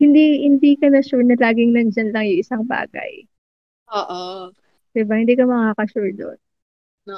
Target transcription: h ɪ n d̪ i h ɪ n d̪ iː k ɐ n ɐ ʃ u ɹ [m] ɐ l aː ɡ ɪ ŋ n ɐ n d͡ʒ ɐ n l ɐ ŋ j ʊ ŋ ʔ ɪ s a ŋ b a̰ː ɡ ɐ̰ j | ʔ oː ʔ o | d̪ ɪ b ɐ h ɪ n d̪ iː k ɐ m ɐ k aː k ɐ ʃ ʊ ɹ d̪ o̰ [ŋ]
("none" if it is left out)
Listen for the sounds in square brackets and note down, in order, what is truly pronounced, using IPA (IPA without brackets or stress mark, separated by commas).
n, n